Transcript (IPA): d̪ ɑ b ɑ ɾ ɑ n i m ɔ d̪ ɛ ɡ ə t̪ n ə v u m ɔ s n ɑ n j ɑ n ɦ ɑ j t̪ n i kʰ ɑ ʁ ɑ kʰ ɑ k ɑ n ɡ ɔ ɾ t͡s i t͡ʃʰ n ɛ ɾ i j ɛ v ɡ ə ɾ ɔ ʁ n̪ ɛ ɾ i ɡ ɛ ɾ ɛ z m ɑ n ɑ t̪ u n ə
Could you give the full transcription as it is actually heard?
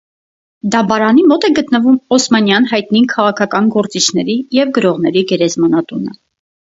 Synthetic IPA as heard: d̪ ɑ b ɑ ɾ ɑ n i m ɔ t̪ ɛ ɡ ə t̪ n ə v u m ɔ s m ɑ n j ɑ n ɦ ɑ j t̪ n i kʰ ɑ ʁ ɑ kʰ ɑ k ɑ n ɡ ɔ ɾ t͡s i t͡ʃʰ n ɛ ɾ i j ɛ v ɡ ə ɾ ɔ ʁ n̪ ɛ ɾ i ɡ ɛ ɾ ɛ z m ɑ n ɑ t̪ u n ə